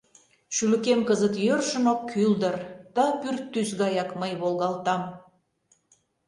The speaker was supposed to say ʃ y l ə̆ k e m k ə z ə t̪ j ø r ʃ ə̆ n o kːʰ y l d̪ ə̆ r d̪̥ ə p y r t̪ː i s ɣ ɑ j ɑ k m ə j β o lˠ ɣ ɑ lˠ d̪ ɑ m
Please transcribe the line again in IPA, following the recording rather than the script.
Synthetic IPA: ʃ y l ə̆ k e m k ə z ə t̪ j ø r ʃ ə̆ n o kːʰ y l d̪ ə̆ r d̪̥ ɑ p y r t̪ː y s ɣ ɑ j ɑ k m ə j β o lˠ ɣ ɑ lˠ t̪ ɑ m